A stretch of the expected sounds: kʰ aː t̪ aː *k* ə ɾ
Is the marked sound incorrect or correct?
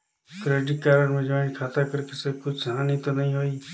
correct